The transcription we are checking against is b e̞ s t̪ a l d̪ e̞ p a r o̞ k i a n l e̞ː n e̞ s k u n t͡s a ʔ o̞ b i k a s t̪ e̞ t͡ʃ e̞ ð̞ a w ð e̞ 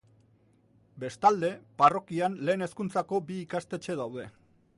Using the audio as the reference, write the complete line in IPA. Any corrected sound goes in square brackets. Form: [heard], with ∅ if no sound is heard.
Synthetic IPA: b e̞ s t̪ a l d̪ e̞ p a r o̞ k i a n l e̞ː n e̞ s k u n t͡s a [k] o̞ b [iː] k a s t̪ e̞ t͡ʃ e̞ ð̞ a w ð e̞

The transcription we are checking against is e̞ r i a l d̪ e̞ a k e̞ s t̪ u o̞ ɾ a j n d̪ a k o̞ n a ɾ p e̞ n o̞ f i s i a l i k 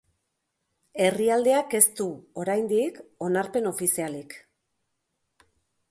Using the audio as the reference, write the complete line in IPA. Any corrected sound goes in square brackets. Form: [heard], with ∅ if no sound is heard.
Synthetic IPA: e̞ r i a l d̪ e̞ a k e̞ s t̪ u o̞ ɾ a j n d̪ [i] k o̞ n a ɾ p e̞ n o̞ f i s i a l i k

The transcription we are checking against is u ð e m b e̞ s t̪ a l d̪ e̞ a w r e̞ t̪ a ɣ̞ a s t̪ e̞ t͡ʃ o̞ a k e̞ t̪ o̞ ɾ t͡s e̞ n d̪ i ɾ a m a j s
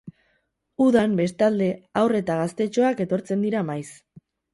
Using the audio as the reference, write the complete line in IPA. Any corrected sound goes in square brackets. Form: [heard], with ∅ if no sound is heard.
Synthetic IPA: u ð [a] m b e̞ s t̪ a l d̪ e̞ a w r e̞ t̪ a ɣ̞ a s t̪ e̞ t͡ʃ o̞ a k e̞ t̪ o̞ ɾ t͡s e̞ n d̪ i ɾ a m a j s

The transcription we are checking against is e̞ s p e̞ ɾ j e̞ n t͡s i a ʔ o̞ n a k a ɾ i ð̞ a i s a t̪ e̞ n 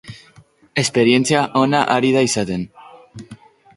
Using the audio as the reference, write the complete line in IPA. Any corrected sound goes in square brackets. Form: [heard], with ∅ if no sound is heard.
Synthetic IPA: e̞ s p e̞ ɾ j e̞ n t͡s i a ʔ o̞ n a [ʔ] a ɾ i ð̞ a i s a t̪ e̞ n

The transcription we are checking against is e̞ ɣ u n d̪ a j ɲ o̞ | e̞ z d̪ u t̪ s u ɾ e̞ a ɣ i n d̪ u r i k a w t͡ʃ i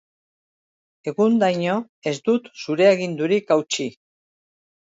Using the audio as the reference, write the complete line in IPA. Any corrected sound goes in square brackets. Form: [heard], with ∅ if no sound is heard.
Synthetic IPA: e̞ ɣ u n d̪ a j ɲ o̞ | e̞ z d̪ u t̪ s u ɾ e̞ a ɣ i n d̪ u [ɾ] i k a w t͡ʃ i

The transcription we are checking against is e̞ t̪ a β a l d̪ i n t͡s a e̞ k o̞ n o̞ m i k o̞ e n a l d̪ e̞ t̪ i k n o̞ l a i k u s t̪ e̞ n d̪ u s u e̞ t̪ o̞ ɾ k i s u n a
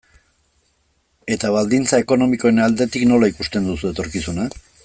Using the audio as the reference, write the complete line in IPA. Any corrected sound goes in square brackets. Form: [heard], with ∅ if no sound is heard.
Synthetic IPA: e̞ t̪ a β a l d̪ i n t͡s a e̞ k o̞ n o̞ m i k o̞ e n a l d̪ e̞ t̪ i k n o̞ l a i k u s t̪ e̞ n d̪ u s u e̞ t̪ o̞ ɾ k i s u n a

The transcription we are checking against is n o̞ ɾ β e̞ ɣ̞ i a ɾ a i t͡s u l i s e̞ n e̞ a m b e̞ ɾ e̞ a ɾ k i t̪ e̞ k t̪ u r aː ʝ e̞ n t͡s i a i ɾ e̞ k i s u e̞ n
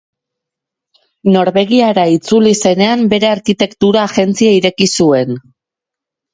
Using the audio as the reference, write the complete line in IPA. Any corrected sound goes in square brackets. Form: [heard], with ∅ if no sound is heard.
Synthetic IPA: n o̞ ɾ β e̞ ɣ̞ i a ɾ a i t͡s u l i s e̞ n e̞ a m b e̞ ɾ e̞ a ɾ k i t̪ e̞ k t̪ u [ɾ] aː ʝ e̞ n t͡s i a i ɾ e̞ k i s u e̞ n

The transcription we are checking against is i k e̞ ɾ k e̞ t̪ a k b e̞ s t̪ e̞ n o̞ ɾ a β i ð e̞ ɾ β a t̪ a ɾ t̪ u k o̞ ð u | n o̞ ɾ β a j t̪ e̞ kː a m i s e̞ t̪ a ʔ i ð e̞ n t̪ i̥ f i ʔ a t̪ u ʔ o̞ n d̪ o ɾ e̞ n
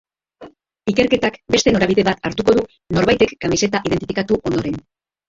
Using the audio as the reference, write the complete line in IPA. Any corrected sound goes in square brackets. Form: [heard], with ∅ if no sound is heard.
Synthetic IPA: i k e̞ ɾ k e̞ t̪ a k b e̞ s t̪ e̞ n o̞ ɾ a β i ð e̞ [∅] β a t̪ a ɾ t̪ u k o̞ ð u | n o̞ ɾ β a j t̪ e̞ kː a m i s e̞ t̪ a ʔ i ð e̞ n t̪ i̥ f i [k] a t̪ u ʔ o̞ n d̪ o ɾ e̞ n

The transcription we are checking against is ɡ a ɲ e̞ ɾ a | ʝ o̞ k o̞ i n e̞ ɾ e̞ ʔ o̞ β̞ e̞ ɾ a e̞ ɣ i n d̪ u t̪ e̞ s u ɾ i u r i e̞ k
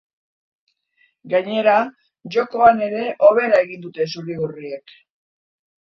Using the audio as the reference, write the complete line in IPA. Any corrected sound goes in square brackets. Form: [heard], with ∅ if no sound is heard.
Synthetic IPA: ɡ a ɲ e̞ ɾ a | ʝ o̞ k o̞ [a] n e̞ ɾ e̞ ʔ o̞ β̞ e̞ ɾ a e̞ ɣ i n d̪ u t̪ e̞ s u ɾ i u r i e̞ k

